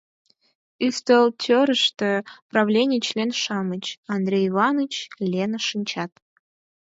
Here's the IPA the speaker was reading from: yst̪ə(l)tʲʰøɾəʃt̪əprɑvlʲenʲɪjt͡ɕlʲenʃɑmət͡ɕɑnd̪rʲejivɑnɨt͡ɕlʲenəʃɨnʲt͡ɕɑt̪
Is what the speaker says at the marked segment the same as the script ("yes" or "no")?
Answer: yes